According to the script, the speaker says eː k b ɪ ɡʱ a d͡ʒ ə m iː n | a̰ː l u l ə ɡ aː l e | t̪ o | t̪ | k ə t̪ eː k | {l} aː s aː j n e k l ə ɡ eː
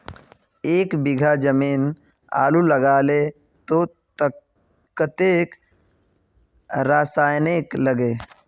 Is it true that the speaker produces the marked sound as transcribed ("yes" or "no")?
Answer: no